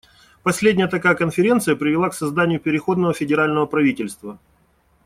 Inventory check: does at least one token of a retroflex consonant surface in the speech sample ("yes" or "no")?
no